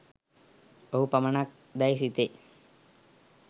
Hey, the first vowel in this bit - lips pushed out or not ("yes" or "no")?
yes